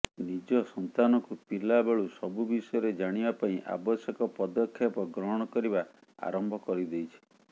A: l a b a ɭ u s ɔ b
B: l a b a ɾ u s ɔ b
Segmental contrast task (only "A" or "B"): A